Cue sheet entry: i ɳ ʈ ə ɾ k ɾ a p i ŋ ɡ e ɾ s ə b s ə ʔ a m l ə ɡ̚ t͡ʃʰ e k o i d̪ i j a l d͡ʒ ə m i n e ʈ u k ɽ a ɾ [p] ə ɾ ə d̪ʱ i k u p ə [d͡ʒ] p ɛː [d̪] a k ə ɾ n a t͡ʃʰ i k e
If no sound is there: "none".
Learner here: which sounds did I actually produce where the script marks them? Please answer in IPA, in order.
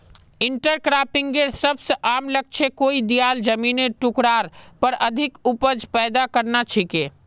p, d͡ʒ, d̪

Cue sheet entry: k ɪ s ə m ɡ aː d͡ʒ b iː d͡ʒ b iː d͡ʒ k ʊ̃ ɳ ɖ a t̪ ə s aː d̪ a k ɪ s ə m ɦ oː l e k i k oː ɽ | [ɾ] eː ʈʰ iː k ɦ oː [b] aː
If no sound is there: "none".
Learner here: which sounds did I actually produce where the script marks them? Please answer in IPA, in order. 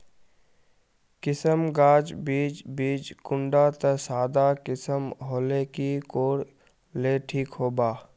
l, b

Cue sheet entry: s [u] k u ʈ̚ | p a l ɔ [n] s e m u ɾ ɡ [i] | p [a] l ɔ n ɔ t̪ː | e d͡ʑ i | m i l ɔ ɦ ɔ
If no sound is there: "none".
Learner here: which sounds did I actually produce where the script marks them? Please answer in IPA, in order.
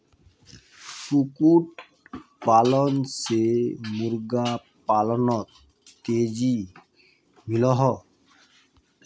u, n, a, a

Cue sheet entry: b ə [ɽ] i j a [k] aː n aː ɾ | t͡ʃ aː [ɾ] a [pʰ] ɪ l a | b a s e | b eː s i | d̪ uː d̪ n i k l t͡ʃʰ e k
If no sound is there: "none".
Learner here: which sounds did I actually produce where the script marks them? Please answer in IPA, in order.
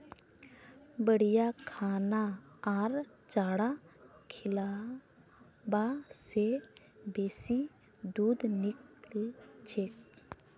ɽ, kʰ, ɽ, kʰ

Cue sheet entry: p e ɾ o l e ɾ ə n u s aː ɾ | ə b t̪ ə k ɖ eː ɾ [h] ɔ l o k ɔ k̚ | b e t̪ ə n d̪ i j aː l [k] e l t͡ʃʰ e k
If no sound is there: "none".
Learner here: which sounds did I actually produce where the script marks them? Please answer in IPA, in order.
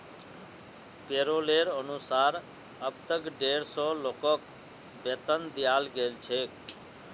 s, ɡ

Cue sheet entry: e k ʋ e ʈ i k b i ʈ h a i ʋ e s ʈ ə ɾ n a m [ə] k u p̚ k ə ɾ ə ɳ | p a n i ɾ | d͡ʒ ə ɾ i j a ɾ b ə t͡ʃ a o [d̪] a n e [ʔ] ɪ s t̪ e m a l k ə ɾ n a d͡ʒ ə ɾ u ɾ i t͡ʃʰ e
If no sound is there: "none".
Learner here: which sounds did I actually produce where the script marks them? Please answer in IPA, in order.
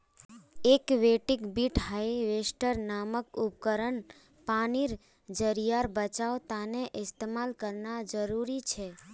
ə, t̪, ʔ

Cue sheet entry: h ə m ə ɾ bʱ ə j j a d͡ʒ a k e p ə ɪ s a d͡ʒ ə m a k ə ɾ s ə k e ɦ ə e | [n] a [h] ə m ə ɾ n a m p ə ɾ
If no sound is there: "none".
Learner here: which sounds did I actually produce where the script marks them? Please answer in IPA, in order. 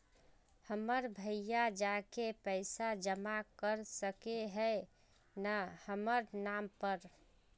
n, h

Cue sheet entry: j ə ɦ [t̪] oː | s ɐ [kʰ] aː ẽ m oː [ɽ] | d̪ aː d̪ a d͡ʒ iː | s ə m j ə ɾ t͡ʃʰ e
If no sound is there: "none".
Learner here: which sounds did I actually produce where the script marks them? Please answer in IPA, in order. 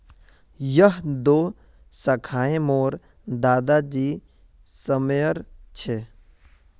d̪, kʰ, ɾ

